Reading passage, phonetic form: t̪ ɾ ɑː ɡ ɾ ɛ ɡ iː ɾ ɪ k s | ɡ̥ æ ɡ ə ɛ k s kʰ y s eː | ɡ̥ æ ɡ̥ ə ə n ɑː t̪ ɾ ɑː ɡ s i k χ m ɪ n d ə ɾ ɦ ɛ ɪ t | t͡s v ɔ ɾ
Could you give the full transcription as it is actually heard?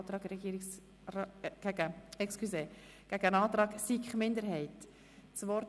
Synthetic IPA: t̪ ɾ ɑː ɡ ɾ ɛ ɡ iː ɾ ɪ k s | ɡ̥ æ ɡ ə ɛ k s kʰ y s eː | ɡ̥ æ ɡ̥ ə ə n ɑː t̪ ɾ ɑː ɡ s i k χ m ɪ n d ə ɾ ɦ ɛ ɪ t | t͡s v ɔ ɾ